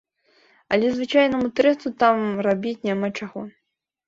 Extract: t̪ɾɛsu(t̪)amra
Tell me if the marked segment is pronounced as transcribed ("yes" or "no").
yes